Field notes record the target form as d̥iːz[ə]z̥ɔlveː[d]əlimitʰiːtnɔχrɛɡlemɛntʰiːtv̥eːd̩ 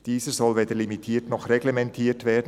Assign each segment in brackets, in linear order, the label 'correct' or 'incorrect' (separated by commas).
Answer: correct, correct